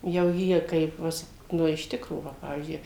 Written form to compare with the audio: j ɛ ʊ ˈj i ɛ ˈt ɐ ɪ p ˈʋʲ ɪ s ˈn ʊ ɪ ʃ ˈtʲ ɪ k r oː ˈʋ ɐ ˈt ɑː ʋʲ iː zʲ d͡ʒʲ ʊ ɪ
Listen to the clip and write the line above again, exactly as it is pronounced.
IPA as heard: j ɛ ʊ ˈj i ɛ ˈk ɐ ɪ p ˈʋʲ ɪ s ˈn ʊ ɪ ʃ ˈtʲ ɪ k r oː ˈʋ ɐ ˈp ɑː ʋʲ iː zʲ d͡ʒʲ ʊ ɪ